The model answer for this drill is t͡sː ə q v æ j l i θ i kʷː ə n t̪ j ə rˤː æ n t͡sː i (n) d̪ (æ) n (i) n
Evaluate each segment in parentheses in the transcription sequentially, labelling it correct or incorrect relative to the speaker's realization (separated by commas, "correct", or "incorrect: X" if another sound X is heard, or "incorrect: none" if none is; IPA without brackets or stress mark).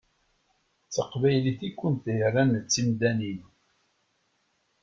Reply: incorrect: m, correct, correct